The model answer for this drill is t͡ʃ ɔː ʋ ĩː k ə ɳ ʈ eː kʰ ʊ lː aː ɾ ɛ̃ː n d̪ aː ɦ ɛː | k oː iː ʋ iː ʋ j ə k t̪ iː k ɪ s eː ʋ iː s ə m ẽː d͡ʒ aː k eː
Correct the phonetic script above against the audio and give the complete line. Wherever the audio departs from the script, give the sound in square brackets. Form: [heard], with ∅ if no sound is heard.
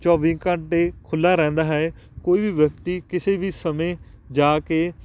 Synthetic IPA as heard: t͡ʃ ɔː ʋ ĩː k ə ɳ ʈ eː kʰ ʊ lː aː ɾ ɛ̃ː n d̪ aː ɦ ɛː | k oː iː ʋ iː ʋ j ə k t̪ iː k ɪ s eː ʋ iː s ə m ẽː d͡ʒ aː k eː